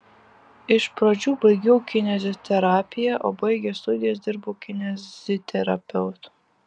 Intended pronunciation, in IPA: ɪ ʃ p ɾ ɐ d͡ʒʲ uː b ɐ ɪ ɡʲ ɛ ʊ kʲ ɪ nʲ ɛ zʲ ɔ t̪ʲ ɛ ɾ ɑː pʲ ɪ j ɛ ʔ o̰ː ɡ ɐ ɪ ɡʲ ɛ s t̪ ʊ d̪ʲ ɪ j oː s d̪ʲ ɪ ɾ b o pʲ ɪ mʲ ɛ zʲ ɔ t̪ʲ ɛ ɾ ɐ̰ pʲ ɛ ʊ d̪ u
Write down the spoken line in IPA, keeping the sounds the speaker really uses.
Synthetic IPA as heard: ɪ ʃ p ɾ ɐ d͡ʒʲ uː b ɐ ɪ ɡʲ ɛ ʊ kʲ ɪ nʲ ɛ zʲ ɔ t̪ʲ ɛ ɾ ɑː pʲ ɪ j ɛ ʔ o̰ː b ɐ ɪ ɡʲ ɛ s t̪ ʊ d̪ʲ ɪ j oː s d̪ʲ ɪ ɾ b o kʲ ɪ nʲ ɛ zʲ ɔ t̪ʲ ɛ ɾ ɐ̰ pʲ ɛ ʊ t̪ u